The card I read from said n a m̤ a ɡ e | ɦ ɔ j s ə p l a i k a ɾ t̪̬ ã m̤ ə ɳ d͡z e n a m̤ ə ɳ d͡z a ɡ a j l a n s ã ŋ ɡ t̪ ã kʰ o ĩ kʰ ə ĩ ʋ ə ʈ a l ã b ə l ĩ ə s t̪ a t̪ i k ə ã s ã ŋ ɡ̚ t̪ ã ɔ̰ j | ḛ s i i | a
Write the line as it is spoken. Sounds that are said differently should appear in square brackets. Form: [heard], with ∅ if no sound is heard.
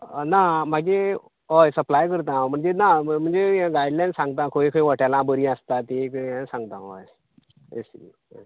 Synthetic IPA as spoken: n a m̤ a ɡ e | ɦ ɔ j s ə p l a [j] k [ə] ɾ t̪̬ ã m̤ ə ɳ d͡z e n a m̤ ə ɳ d͡z [e] ɡ a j l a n s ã ŋ ɡ t̪ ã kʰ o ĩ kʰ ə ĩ ʋ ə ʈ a l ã b ə [ɾ] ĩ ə s t̪ a t̪ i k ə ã s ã ŋ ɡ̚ t̪ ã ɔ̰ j | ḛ s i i | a